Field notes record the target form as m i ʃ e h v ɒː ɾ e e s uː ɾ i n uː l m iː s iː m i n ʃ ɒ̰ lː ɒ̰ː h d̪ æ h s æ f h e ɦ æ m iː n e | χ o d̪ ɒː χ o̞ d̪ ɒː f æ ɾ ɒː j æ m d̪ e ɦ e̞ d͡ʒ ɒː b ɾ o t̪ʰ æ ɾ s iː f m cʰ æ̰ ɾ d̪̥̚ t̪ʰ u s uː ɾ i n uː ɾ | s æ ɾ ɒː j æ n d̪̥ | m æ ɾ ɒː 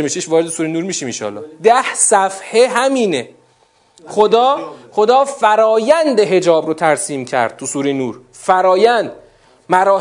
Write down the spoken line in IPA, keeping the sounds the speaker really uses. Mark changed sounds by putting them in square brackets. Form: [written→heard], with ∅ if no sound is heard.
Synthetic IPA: m i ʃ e [h→ʃ] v ɒː ɾ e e s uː ɾ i n uː [l→ɾ] m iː [s→ʃ] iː m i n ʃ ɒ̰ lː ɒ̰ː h d̪ æ h s æ f h e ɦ æ m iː n e | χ o d̪ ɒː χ o̞ d̪ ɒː f æ ɾ ɒː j æ [m→n] d̪ e ɦ e̞ d͡ʒ ɒː b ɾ o t̪ʰ æ ɾ s iː [f→∅] m cʰ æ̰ ɾ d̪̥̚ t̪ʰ u s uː ɾ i n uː ɾ | [s→f] æ ɾ ɒː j æ n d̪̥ | m æ ɾ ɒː